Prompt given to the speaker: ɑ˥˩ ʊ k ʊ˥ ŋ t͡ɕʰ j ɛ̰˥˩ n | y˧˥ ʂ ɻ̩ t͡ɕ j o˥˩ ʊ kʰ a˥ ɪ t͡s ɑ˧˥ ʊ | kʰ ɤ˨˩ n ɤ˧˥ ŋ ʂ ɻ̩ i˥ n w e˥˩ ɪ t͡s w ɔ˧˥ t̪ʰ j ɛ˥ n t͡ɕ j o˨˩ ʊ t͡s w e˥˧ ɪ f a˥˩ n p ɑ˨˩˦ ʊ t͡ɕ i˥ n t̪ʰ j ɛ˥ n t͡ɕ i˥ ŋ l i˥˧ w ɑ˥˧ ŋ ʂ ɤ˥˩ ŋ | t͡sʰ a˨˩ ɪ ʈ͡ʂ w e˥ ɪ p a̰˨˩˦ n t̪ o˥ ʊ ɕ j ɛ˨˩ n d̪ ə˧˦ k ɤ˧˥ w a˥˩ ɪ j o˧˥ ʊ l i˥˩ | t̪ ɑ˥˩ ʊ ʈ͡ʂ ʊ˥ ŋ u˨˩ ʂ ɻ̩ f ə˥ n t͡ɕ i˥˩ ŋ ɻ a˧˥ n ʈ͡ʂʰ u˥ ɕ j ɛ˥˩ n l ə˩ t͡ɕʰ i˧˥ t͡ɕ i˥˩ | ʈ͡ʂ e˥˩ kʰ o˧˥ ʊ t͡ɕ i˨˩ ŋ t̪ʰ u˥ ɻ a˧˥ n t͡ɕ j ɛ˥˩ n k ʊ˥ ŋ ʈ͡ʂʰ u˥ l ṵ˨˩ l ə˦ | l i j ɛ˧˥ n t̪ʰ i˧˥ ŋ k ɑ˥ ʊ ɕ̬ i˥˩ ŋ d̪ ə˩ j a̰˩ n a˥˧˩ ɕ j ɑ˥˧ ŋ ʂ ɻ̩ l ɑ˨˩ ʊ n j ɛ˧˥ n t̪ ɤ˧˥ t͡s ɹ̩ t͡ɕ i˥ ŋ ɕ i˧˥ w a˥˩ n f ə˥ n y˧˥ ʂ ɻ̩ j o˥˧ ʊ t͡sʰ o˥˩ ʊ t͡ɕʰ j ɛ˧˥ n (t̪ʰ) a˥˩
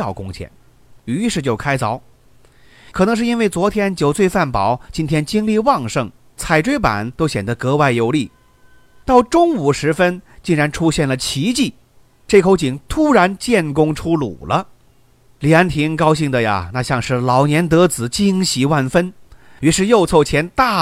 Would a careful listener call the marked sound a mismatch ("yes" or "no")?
yes